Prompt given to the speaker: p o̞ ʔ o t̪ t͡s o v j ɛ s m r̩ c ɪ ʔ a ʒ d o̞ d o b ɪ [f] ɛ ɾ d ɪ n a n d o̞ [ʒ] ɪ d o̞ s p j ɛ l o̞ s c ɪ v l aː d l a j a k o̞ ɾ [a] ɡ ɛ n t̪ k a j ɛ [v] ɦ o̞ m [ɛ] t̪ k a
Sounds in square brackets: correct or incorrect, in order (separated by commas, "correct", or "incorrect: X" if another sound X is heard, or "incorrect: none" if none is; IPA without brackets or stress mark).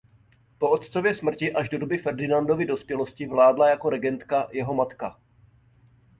correct, incorrect: v, incorrect: ɛ, incorrect: none, incorrect: a